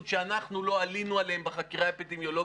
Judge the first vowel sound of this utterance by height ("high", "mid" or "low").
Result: mid